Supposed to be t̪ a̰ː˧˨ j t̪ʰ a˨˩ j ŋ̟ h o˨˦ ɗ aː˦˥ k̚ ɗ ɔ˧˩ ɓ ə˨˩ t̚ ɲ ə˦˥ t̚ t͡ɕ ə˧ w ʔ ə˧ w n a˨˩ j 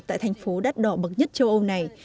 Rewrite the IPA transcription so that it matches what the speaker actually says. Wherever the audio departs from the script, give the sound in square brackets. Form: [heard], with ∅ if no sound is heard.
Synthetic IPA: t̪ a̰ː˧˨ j t̪ʰ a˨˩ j ŋ̟ [f] o˨˦ ɗ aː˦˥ [t̚] ɗ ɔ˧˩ ɓ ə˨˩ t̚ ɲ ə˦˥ t̚ t͡ɕ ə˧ w ʔ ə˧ w n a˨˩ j